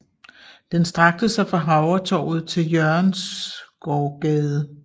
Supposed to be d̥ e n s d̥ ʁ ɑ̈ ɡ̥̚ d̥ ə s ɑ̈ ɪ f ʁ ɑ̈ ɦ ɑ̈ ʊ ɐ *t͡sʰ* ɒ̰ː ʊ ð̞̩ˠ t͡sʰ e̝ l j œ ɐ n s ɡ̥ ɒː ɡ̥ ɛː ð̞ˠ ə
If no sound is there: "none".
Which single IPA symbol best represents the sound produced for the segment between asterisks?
t͡sʰ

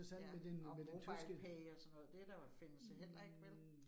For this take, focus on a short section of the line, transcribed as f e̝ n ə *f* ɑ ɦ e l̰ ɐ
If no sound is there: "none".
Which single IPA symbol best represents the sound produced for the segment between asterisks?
s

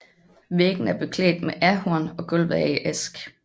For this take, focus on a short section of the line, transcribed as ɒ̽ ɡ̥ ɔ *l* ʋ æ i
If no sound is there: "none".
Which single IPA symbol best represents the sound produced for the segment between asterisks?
l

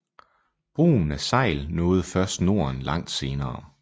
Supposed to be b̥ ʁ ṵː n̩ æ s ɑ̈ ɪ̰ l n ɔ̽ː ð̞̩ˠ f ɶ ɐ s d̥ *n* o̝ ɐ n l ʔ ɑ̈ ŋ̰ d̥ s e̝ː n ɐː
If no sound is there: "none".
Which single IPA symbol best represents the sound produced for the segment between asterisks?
n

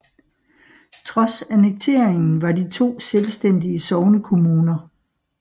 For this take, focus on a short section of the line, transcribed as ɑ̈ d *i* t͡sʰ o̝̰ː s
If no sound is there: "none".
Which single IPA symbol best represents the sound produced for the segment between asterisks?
i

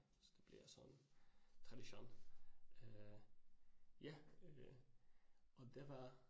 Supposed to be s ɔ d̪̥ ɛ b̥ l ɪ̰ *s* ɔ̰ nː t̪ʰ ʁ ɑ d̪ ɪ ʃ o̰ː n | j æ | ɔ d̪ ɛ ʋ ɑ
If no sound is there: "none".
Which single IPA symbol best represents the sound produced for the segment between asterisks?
s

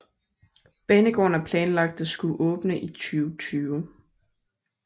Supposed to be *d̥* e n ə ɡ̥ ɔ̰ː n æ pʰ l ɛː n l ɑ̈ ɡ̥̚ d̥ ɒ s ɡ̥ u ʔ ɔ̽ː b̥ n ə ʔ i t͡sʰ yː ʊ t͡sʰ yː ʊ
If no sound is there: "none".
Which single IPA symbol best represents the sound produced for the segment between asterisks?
b̥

